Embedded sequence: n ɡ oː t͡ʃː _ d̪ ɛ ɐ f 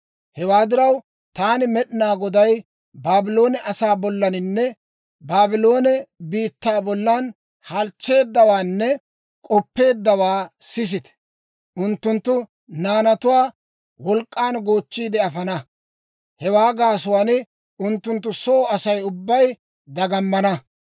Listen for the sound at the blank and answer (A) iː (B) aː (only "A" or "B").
A